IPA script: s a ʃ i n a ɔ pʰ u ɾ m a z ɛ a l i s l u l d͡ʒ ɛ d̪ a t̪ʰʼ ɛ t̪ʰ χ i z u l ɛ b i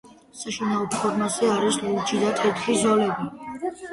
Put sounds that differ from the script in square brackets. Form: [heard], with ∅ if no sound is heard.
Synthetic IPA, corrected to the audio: s a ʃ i n a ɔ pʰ [ɔ] ɾ m a z ɛ a [ɾ] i s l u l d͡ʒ [i] d̪ a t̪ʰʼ ɛ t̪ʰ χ i z [ɔ] l ɛ b i